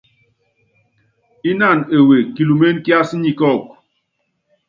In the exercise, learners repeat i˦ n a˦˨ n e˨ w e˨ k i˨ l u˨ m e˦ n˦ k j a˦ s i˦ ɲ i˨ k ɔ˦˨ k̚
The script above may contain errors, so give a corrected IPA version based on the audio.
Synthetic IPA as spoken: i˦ n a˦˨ n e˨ w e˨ k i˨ l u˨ m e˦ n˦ k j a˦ s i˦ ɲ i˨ k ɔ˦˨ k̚